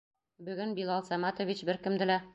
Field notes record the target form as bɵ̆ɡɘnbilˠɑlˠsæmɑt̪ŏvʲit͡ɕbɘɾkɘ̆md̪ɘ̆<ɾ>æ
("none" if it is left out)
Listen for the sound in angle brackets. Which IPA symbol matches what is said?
l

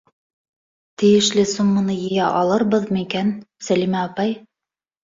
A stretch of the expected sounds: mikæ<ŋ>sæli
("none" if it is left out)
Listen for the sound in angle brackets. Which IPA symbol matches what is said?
n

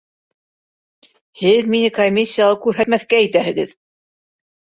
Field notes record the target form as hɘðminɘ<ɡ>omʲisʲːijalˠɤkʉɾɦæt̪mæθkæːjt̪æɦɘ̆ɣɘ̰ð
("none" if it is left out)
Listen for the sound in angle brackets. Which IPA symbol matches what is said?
k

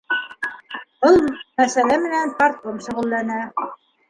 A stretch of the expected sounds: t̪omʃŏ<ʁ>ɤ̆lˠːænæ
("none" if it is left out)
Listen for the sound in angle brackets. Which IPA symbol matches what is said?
ʁ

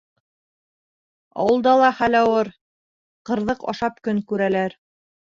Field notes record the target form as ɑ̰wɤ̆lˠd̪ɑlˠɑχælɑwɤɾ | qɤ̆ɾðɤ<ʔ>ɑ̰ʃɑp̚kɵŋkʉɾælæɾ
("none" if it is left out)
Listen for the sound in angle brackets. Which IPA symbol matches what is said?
q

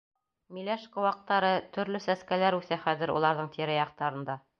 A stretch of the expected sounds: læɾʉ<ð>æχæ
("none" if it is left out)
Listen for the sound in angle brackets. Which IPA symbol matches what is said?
θ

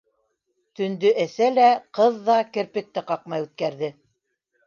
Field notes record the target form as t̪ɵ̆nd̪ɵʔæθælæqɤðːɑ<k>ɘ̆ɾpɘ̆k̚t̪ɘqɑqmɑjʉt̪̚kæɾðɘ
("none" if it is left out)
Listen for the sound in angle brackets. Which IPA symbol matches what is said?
k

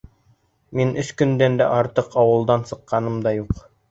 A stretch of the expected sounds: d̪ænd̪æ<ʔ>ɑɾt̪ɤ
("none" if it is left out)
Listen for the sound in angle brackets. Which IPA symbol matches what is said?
ʔ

